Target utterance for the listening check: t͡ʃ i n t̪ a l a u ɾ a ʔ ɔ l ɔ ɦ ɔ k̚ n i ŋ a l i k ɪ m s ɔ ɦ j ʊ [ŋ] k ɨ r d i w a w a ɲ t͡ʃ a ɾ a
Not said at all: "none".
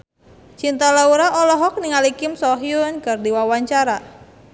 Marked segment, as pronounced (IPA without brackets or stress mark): n